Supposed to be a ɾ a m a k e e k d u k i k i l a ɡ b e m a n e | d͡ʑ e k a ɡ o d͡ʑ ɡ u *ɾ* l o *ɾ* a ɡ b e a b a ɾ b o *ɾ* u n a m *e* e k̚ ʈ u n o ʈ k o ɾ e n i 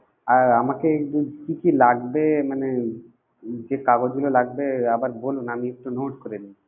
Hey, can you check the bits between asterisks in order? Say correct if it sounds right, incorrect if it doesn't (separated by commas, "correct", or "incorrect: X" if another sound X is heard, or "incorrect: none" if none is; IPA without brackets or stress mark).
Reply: incorrect: none, incorrect: l, incorrect: l, incorrect: i